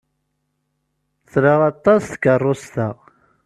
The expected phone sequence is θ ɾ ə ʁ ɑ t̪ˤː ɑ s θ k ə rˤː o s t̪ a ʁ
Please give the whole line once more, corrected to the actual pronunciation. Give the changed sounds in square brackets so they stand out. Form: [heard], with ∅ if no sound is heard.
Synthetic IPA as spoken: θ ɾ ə ʁ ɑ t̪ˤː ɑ s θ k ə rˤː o s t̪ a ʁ